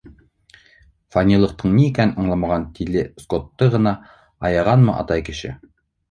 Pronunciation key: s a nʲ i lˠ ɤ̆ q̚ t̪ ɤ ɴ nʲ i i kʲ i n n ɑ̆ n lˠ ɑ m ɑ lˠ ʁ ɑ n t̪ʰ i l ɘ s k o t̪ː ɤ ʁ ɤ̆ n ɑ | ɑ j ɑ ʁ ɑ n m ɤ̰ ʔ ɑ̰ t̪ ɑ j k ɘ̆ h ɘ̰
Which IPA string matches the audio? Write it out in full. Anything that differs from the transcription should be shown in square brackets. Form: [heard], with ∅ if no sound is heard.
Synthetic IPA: [f] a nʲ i lˠ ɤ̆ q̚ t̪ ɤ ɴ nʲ i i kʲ [æ] n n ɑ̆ [ɴ] lˠ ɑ m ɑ [∅] ʁ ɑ n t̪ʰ i l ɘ s k o t̪ː ɤ ʁ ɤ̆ n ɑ | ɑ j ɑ ʁ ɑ n m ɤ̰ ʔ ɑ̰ t̪ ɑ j k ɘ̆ [ʃ] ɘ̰